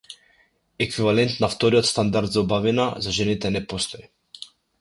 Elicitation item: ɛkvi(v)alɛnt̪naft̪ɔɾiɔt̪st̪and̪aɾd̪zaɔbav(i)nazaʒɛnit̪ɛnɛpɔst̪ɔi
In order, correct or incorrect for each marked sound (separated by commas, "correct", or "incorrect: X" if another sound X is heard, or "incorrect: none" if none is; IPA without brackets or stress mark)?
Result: correct, correct